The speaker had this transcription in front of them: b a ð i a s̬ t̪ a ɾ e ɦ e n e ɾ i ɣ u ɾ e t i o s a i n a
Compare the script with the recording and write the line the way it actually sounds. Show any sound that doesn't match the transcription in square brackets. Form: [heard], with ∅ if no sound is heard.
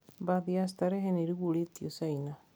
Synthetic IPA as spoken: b a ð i a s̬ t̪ a ɾ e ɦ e n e ɾ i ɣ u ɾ e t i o s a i n a